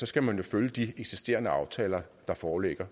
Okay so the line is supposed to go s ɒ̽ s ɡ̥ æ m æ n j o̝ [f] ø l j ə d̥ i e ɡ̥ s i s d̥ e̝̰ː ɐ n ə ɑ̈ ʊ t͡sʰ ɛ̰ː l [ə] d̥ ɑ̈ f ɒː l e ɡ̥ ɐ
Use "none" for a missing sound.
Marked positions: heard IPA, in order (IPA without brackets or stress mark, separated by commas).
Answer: f, ɐ